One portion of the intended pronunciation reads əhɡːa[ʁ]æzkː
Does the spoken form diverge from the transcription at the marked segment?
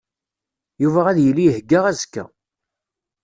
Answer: no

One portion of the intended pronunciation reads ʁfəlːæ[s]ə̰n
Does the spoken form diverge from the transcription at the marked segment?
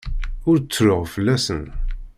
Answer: no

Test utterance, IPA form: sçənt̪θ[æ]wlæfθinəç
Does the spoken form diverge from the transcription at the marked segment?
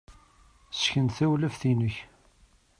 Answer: no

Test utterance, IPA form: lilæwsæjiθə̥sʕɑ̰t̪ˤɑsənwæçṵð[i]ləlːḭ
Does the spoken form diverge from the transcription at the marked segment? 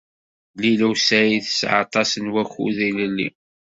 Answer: no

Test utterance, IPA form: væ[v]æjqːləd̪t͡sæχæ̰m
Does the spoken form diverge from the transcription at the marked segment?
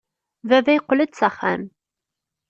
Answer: no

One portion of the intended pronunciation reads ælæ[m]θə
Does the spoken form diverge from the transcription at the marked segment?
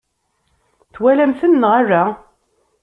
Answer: no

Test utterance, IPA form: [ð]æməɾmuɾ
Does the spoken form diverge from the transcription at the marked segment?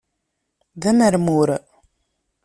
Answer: no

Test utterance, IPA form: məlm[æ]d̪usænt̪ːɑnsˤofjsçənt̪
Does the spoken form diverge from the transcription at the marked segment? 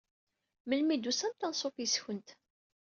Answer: yes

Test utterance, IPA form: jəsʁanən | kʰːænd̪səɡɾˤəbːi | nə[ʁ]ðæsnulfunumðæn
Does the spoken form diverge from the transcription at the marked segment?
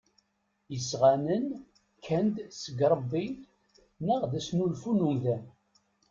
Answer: no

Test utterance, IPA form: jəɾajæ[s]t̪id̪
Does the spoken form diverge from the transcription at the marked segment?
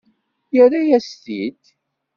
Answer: no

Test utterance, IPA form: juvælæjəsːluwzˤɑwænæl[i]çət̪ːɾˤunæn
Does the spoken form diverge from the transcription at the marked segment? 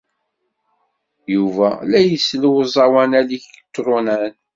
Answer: no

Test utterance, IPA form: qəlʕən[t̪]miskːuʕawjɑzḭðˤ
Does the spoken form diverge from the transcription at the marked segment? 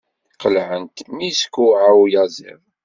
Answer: no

